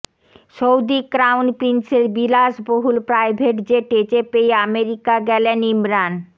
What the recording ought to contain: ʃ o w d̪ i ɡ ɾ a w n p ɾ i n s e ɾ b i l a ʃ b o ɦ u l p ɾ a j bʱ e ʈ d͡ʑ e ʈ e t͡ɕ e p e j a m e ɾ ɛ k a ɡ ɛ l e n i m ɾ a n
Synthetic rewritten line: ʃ o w d̪ i k ɾ a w n p ɾ i n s e ɾ b i l a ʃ b o ɦ u l p ɾ a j bʱ e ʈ d͡ʑ e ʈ e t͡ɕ e p e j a m e ɾ i k a ɡ ɛ l e n i m ɾ a n